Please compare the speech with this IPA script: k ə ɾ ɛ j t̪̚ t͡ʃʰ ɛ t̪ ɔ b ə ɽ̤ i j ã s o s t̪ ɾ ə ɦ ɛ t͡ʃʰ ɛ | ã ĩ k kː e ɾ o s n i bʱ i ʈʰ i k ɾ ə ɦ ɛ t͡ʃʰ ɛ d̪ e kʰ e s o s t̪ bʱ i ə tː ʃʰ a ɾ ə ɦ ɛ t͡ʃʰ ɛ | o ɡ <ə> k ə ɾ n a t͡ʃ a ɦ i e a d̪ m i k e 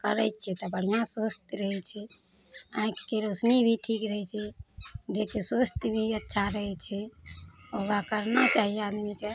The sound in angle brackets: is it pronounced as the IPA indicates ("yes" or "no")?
no